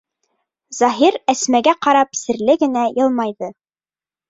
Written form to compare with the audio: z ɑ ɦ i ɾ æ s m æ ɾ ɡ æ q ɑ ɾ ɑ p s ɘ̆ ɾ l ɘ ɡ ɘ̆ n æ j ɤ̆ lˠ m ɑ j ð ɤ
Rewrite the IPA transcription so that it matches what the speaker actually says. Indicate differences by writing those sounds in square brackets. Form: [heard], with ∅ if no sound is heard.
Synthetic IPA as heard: z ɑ ɦ i ɾ æ s m æ [∅] ɡ æ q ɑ ɾ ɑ p s ɘ̆ ɾ l ɘ ɡ ɘ̆ n æ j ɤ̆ lˠ m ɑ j ð ɤ